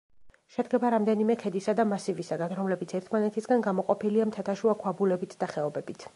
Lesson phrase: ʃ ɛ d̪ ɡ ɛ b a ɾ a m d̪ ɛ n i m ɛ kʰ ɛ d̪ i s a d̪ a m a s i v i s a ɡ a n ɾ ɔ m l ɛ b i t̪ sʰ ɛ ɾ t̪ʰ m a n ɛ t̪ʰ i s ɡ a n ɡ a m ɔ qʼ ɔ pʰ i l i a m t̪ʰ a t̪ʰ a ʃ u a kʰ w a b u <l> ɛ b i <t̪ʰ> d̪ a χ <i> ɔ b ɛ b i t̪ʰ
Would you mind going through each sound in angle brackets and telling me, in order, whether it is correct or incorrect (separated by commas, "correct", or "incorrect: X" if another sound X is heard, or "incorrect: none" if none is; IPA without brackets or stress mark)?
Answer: correct, correct, incorrect: ɛ